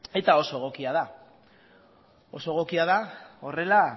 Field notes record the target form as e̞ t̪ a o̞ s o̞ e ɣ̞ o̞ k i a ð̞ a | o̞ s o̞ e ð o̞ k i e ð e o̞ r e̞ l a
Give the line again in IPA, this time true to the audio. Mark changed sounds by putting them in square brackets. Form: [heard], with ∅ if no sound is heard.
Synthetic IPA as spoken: e̞ t̪ a o̞ s o̞ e ɣ̞ o̞ k i a ð̞ a | o̞ s o̞ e [ɣ] o̞ k i [a] ð [a] o̞ r e̞ l a